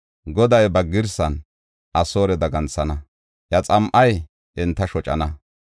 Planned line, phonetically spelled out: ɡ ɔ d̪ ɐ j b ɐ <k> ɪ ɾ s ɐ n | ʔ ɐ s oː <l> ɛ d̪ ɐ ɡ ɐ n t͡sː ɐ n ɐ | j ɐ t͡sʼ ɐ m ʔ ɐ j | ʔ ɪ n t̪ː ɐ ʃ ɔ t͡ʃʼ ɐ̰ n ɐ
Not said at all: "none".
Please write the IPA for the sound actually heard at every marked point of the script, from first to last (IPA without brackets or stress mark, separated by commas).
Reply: ɡ, ɾ